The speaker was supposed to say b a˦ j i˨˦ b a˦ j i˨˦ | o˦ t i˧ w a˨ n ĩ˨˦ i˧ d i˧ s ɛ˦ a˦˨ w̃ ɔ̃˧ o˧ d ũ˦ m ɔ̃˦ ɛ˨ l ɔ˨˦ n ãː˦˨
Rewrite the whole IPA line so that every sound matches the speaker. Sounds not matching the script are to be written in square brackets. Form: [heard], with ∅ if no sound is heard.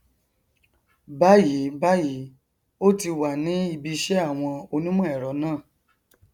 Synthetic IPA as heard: b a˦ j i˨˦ b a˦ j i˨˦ | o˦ t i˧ w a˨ n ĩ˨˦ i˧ [b] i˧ [ʃ] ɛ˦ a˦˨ w̃ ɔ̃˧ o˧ [n] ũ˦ m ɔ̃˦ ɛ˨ [ɾ] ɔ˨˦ n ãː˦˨